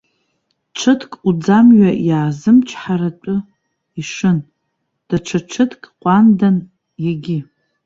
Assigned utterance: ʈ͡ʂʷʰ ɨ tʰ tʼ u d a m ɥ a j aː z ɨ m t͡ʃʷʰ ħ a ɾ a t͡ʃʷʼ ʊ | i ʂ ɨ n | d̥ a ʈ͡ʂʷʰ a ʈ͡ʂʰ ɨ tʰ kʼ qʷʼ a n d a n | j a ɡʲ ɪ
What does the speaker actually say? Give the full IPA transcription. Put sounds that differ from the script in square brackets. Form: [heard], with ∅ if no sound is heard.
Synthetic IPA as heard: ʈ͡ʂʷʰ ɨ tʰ [kʼ] u [d͡z] a m ɥ a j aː z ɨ m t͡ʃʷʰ ħ a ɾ a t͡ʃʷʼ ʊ | i ʂ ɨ n | d̥ a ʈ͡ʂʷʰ a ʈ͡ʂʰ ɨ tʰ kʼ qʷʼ a n d a n | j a ɡʲ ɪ

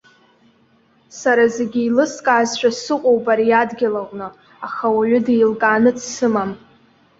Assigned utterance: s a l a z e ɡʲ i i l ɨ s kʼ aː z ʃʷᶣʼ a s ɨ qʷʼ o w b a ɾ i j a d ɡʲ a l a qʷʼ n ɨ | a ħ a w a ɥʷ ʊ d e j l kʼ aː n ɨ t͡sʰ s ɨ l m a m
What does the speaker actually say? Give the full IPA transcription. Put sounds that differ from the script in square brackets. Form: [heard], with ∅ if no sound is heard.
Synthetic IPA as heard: s a [ɾ] a z e ɡʲ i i l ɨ s kʼ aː z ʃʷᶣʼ a s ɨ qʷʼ o w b a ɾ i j a d ɡʲ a l a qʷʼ n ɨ | a [χ] a w a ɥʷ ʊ d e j l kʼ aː n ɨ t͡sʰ s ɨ [∅] m a m

